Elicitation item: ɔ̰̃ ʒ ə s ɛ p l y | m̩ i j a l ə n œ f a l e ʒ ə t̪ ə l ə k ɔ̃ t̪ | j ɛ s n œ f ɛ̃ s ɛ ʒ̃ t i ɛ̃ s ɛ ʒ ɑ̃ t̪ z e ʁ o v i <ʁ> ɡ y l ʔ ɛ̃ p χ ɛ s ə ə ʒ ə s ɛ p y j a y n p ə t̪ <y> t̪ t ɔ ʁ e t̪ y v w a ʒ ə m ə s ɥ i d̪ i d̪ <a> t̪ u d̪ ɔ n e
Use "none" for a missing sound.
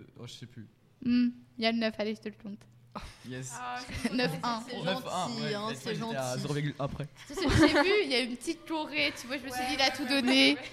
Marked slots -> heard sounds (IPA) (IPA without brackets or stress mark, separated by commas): ʁ, i, a